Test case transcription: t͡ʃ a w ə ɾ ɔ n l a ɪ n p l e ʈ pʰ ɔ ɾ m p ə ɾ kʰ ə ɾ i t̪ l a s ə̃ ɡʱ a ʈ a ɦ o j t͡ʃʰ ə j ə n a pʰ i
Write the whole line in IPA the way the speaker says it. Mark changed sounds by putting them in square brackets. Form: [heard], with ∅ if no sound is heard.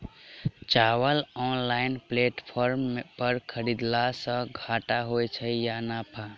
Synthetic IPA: t͡ʃ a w ə [l] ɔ n l a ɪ n p l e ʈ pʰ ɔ ɾ m p ə ɾ kʰ ə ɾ i [d̪] l a s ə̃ ɡʱ a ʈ a ɦ o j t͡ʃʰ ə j [a] n a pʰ [a]